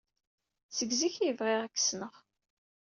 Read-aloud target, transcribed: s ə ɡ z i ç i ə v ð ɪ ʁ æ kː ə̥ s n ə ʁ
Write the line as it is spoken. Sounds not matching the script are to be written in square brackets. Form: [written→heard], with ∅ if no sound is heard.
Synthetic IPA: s ə ɡ z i ç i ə v [ð→ʁ] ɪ ʁ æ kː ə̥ s n ə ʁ